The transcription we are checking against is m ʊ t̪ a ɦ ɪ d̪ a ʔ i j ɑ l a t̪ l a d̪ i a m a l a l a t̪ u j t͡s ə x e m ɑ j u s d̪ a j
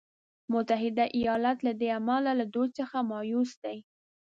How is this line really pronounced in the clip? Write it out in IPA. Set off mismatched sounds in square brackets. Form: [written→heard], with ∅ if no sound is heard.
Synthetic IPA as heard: m ʊ t̪ a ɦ ɪ d̪ a ʔ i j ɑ l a t̪ l a d̪ [i→e] a m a l a l a [t̪→d̪] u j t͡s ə x [e→a] m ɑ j u s d̪ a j